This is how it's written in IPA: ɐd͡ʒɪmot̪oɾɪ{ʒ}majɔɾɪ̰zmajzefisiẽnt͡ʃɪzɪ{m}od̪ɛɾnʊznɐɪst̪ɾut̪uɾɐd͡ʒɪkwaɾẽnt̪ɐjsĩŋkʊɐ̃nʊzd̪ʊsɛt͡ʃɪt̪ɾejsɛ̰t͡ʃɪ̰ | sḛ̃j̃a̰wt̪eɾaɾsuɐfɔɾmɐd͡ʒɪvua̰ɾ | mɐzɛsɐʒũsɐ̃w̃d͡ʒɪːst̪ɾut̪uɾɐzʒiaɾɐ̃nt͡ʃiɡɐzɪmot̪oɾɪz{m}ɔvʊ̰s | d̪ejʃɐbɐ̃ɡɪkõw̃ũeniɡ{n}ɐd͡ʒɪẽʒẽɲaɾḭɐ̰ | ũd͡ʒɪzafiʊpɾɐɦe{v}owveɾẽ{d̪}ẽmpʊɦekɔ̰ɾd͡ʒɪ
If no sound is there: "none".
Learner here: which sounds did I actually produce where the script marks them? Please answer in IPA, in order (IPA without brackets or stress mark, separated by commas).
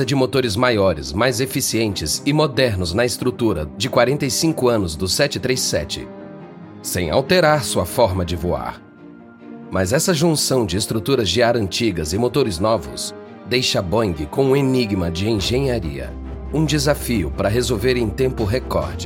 z, m, n, m, z, t̪